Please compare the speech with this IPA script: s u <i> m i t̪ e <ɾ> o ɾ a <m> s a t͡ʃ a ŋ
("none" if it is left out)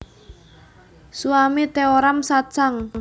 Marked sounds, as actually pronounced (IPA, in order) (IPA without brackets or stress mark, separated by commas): a, none, m